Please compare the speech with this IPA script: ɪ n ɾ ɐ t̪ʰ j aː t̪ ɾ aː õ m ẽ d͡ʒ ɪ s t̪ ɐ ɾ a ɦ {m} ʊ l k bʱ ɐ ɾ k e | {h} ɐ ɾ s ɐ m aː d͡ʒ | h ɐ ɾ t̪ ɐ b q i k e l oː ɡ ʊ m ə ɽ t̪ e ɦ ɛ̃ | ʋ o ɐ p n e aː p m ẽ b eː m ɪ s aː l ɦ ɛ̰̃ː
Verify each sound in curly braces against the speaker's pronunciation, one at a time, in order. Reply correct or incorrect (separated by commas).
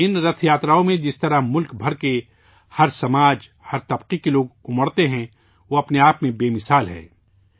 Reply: correct, correct